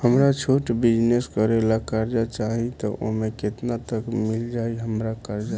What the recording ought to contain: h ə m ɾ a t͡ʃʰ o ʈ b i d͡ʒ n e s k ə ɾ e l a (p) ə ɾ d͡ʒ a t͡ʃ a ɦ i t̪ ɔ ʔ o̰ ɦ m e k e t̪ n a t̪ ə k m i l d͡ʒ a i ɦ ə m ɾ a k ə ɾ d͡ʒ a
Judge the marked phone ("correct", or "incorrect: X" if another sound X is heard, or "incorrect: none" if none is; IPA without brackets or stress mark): incorrect: k